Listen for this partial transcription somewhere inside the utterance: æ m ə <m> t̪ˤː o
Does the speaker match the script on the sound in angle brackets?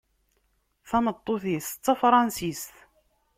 no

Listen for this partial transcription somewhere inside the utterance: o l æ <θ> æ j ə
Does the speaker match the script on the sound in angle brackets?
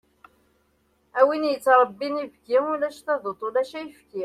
no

